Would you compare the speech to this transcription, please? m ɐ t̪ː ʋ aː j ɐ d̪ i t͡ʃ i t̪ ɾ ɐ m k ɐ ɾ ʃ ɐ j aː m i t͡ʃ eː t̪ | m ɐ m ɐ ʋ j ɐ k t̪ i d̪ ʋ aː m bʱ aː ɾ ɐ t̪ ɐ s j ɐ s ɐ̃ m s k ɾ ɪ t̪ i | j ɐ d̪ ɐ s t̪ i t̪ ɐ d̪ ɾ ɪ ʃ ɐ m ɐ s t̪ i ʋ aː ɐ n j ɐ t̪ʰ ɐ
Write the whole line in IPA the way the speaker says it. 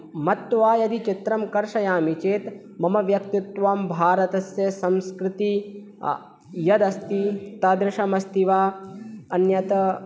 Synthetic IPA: m ɐ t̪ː ʋ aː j ɐ d̪ i t͡ʃ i t̪ ɾ ɐ m k ɐ ɾ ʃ ɐ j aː m i t͡ʃ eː t̪ | m ɐ m ɐ ʋ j ɐ k t̪ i t̪ ʋ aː m bʱ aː ɾ ɐ t̪ ɐ s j ɐ s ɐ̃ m s k ɾ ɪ t̪ i | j ɐ d̪ ɐ s t̪ i t̪ ɐ d̪ ɾ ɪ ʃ ɐ m ɐ s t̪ i ʋ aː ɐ n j ɐ t̪ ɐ